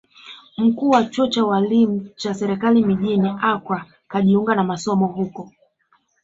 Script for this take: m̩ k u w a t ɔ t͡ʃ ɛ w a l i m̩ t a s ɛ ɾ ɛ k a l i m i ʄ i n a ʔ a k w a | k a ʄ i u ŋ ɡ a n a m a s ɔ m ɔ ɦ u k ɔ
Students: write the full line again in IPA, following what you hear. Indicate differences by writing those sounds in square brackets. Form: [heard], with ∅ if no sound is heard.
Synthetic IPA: m̩ k [uː] w a [t͡ʃ] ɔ t͡ʃ [a] w a l i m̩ [t͡ʃ] a s ɛ ɾ ɛ k a l i m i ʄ i n [i] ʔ a k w a | k a ʄ i u ŋ ɡ a n a m a s ɔ m ɔ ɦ u k ɔ